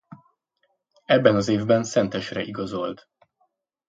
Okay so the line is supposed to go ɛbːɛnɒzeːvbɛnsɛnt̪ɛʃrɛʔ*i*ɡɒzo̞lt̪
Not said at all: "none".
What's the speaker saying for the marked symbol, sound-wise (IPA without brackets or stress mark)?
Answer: i